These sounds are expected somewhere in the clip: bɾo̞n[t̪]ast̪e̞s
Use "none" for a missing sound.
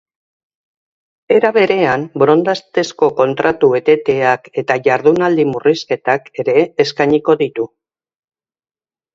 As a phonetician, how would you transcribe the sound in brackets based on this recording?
d̪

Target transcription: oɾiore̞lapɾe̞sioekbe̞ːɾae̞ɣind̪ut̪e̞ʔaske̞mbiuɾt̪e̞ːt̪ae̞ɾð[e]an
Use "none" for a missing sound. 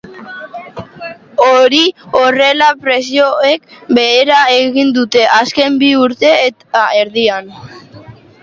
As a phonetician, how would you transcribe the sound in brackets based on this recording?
i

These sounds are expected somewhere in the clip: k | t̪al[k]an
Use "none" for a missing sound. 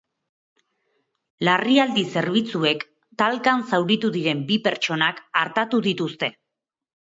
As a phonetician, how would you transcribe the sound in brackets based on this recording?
k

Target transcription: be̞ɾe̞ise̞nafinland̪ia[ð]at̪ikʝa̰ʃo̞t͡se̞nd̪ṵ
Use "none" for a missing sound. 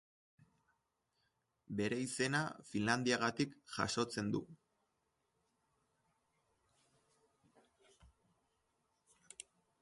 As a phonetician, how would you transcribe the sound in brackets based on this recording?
ɣ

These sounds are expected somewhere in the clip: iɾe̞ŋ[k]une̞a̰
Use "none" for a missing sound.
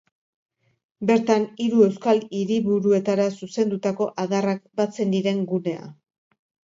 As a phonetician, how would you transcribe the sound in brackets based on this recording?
ɡ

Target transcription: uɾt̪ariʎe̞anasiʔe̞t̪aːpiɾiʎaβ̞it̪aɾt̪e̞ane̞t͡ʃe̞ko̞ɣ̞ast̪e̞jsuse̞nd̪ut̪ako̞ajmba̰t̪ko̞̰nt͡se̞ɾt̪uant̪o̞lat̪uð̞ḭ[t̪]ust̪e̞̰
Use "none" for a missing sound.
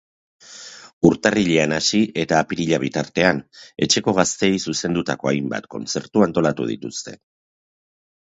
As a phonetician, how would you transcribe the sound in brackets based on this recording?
t̪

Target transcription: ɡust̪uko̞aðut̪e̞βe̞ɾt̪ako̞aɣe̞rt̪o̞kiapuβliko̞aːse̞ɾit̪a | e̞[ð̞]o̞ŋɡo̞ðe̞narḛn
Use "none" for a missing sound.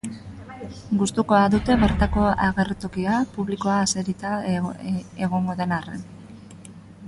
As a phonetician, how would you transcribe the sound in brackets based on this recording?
ɣ̞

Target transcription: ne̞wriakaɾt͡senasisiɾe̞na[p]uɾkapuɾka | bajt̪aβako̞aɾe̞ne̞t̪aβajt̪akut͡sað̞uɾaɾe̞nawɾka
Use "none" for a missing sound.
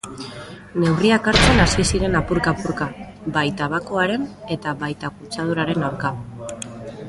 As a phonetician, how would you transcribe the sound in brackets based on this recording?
p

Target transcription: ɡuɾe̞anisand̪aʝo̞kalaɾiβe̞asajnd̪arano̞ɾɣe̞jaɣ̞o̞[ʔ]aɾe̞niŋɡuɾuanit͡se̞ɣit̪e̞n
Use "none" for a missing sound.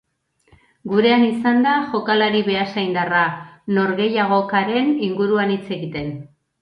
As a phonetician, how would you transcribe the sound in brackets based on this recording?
k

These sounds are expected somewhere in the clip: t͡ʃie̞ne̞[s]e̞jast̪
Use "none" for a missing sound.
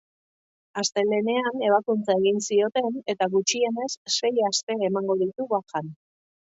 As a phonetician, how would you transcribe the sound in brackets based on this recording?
sː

